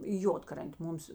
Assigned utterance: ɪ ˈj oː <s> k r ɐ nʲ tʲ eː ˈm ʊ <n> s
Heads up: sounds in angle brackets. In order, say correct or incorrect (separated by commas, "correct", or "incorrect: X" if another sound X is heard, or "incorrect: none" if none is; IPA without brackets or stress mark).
incorrect: t, incorrect: m